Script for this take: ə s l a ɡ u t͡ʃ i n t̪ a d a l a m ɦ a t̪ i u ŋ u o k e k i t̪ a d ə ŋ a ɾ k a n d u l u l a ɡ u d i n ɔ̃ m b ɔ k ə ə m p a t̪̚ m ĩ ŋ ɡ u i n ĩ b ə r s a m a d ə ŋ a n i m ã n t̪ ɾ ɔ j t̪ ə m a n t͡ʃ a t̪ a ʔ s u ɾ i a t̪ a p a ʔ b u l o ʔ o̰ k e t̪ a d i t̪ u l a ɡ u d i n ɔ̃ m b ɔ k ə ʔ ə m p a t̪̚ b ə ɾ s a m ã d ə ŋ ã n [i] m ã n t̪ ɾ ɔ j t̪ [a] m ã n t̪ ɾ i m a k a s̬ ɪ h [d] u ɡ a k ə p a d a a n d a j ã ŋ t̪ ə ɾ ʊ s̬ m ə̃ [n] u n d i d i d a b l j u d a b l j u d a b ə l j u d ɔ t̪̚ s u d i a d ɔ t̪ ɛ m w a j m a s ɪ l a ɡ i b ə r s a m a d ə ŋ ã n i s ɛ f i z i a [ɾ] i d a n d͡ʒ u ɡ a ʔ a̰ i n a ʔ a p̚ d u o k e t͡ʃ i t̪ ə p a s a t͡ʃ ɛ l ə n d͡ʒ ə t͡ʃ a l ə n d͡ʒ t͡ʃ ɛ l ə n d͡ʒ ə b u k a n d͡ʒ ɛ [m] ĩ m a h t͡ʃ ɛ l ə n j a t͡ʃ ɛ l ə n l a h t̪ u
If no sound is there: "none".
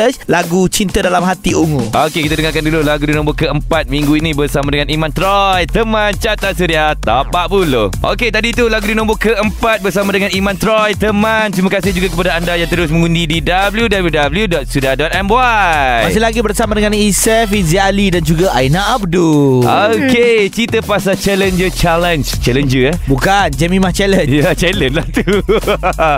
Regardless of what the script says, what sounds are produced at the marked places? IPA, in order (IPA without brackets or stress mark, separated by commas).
i, ə, d͡ʒ, ŋ, l, m